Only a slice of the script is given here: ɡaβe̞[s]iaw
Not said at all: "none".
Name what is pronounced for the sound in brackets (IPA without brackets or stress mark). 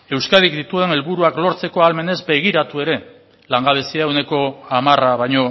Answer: s